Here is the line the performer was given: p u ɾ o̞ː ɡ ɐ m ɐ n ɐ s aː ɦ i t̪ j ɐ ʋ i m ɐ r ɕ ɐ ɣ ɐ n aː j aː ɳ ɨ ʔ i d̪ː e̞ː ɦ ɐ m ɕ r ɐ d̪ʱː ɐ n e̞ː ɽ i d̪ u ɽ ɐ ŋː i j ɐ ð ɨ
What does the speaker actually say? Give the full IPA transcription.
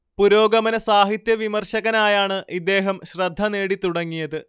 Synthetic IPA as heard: p u ɾ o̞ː ɡ ɐ m ɐ n ɐ s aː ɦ i t̪ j ɐ ʋ i m ɐ r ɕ ɐ ɣ ɐ n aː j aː ɳ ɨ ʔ i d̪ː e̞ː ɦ ɐ m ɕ r ɐ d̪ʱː ɐ n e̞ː ɽ i t̪ u ɽ ɐ ŋː i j ɐ ð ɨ